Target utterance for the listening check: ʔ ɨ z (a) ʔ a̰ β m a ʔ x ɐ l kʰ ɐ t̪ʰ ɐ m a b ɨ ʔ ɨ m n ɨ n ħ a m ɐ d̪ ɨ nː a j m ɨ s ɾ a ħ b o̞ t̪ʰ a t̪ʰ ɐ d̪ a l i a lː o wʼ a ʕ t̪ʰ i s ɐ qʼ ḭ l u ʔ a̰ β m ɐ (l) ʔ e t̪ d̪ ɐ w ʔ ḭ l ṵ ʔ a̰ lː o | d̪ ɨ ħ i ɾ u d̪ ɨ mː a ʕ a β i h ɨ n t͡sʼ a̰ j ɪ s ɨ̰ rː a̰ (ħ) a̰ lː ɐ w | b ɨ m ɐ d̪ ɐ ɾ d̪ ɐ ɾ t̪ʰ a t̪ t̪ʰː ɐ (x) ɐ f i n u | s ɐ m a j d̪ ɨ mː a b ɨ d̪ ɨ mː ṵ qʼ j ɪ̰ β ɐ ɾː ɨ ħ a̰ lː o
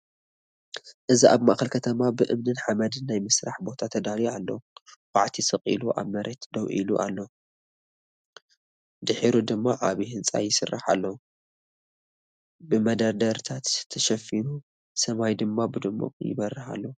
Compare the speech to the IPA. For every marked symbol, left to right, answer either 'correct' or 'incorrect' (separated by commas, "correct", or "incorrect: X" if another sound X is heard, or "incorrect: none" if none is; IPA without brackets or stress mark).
incorrect: i, incorrect: ɾ, correct, incorrect: ʃ